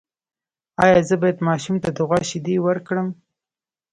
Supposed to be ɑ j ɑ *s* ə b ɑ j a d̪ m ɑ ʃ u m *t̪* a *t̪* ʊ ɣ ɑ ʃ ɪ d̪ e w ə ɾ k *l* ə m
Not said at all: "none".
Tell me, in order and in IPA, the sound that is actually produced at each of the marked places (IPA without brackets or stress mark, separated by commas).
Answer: z, t̪, d̪, ɽ